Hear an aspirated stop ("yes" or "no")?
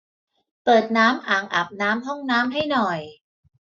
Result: no